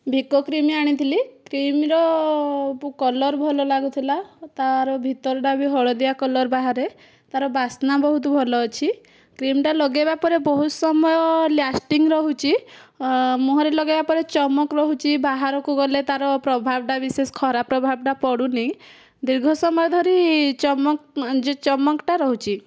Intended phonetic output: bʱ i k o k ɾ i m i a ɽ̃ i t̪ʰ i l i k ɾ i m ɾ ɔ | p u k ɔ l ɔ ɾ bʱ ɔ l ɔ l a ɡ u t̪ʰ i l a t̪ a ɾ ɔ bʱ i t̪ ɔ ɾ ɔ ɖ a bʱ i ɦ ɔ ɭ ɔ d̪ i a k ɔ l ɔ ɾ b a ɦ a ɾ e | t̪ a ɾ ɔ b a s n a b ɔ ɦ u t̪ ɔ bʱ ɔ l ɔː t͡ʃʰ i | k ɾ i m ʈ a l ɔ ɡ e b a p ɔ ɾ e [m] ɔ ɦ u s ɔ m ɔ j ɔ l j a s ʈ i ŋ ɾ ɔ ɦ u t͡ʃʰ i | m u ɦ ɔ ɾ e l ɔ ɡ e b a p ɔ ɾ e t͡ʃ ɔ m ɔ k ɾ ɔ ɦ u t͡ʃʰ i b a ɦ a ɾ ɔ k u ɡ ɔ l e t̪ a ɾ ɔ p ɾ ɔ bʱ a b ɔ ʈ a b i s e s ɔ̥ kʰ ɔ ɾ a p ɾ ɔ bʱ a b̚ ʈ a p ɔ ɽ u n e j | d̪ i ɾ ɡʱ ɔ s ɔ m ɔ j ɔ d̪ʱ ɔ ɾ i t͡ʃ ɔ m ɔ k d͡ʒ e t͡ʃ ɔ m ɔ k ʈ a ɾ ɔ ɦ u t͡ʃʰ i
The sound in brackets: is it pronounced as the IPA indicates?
no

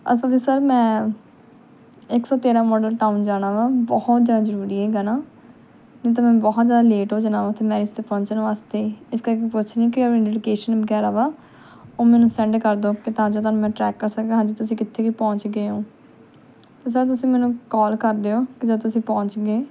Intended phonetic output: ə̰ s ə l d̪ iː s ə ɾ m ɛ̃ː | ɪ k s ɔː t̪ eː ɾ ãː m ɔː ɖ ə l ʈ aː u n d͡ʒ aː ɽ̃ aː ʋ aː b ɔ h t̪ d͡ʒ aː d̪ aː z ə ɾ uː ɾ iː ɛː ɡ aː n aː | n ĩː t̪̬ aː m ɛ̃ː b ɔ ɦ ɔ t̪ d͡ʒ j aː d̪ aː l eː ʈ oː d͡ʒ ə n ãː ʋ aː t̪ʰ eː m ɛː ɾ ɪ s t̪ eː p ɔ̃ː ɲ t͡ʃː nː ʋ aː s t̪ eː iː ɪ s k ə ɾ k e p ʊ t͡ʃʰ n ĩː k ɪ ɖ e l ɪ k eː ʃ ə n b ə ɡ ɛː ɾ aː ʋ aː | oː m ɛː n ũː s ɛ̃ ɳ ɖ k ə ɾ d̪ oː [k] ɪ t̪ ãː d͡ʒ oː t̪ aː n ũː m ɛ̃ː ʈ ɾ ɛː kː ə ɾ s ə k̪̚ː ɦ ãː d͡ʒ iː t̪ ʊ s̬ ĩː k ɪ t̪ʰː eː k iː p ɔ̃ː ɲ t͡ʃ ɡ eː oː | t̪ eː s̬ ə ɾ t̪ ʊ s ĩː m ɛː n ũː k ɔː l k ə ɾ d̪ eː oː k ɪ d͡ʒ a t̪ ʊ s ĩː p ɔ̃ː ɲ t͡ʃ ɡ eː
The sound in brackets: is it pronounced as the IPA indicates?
yes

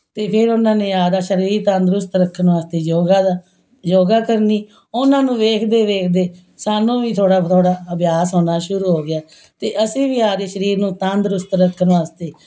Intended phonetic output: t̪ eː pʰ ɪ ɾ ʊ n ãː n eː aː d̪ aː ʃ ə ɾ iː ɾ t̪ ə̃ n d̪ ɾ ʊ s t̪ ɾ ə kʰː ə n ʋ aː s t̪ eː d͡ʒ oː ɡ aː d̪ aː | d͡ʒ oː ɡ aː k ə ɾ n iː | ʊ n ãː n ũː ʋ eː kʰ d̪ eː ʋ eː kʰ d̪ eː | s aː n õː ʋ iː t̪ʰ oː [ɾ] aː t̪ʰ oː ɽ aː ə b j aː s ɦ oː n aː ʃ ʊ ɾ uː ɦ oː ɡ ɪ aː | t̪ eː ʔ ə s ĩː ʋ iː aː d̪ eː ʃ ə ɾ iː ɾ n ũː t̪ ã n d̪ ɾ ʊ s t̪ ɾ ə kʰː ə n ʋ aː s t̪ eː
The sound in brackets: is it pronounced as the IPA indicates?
no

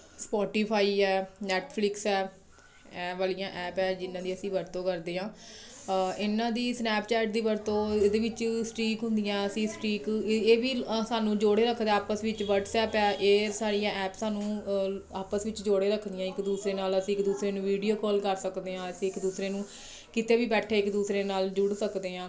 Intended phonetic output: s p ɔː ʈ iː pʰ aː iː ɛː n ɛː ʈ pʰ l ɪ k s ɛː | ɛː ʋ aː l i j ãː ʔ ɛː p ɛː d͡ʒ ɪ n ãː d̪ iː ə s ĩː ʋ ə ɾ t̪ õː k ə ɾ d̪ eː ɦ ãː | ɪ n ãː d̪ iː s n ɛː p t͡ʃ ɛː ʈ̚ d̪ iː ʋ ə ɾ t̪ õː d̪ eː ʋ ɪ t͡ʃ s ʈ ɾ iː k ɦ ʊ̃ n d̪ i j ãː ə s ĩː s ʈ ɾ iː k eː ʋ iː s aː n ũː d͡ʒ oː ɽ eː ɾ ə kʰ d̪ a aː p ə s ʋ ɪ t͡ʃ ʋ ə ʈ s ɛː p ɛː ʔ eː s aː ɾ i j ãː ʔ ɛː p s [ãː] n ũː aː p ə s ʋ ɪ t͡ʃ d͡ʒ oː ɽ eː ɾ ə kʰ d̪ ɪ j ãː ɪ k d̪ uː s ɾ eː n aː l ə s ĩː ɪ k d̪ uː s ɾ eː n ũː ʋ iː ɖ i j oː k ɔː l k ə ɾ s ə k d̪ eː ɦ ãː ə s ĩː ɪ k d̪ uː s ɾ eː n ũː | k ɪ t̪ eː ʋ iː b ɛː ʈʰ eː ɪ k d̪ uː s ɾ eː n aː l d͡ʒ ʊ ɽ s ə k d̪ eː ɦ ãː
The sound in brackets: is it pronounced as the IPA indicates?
no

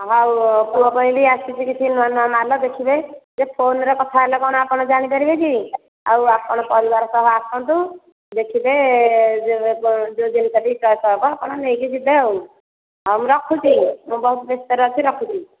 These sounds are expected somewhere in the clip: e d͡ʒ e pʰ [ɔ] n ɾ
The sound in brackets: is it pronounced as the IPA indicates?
no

